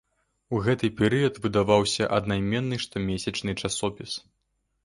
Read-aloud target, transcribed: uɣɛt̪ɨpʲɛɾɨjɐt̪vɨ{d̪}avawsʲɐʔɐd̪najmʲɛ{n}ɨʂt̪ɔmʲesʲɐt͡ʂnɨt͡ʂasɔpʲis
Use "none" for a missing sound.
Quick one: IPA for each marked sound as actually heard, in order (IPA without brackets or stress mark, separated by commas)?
d̪, nː